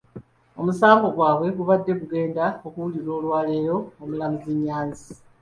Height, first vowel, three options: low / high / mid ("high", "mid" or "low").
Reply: mid